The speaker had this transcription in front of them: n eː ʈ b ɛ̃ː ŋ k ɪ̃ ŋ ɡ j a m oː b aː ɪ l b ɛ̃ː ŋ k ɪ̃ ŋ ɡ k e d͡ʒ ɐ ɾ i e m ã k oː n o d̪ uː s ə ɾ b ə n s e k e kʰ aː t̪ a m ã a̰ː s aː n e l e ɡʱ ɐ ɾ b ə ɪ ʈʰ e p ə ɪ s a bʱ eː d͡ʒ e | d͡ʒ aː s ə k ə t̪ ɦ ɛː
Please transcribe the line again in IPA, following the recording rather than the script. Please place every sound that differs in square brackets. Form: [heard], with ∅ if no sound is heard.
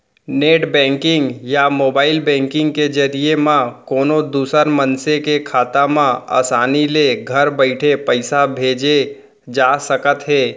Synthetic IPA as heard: n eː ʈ b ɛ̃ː ŋ k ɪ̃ ŋ ɡ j a m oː b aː ɪ l b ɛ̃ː ŋ k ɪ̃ ŋ ɡ k e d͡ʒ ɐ ɾ i e m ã k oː n o d̪ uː s ə ɾ [m] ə n s e k e kʰ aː t̪ a m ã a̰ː s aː n [i] l e ɡʱ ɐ ɾ b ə ɪ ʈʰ e p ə ɪ s a bʱ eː d͡ʒ e | d͡ʒ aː s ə k ə t̪ ɦ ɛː